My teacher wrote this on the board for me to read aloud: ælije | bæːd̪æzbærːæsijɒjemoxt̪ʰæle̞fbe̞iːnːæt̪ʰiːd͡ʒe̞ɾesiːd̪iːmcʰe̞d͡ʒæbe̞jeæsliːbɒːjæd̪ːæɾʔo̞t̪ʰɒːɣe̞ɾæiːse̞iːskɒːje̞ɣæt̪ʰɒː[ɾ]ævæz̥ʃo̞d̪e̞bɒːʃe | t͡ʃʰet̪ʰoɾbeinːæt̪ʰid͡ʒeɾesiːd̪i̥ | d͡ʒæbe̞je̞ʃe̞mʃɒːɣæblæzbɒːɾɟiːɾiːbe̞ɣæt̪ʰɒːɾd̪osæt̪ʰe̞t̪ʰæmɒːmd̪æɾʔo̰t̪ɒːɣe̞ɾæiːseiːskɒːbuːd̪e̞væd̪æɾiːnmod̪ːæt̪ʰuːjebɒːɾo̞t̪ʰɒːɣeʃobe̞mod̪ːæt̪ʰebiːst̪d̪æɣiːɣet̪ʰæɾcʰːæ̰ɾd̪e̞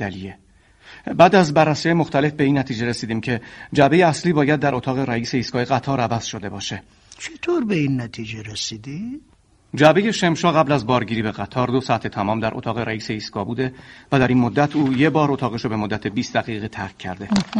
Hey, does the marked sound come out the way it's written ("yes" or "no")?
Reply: yes